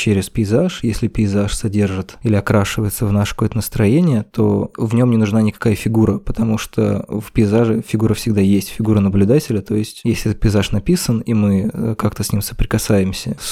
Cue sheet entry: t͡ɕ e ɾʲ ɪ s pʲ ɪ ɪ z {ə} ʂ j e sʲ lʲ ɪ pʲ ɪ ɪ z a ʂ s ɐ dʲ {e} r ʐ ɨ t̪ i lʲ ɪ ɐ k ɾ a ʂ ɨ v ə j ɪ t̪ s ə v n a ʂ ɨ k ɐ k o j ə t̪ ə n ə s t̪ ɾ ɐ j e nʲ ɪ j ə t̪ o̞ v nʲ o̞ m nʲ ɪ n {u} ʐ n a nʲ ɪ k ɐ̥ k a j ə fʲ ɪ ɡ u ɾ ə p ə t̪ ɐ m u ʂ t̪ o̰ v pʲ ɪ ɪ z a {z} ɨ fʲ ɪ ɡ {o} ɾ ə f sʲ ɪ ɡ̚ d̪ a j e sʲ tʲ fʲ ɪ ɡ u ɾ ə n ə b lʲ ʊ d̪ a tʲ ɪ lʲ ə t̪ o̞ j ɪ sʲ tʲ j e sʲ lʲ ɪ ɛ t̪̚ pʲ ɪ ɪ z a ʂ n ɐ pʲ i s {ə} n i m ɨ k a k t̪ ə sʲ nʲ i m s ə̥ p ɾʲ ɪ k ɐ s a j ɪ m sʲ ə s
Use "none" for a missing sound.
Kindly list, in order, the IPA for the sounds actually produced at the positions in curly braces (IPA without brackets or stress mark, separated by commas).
a, e, ʊ, ʐ, u, ə